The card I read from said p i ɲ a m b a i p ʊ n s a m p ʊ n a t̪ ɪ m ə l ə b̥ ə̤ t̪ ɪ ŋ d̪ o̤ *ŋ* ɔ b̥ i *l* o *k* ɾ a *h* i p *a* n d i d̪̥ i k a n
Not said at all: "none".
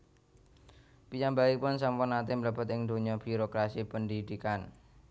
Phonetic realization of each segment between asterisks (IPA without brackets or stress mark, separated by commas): ɲ, ɾ, k, s, ə